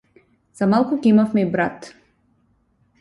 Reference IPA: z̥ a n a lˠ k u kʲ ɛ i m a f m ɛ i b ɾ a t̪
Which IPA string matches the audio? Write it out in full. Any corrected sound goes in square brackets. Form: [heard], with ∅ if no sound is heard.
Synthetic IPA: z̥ a [m] a lˠ k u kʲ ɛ i m a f m ɛ i b ɾ a t̪